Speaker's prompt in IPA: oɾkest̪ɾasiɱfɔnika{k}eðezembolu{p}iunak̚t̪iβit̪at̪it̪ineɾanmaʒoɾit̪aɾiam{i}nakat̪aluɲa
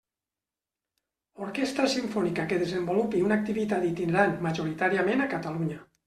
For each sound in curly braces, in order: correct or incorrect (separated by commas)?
correct, correct, incorrect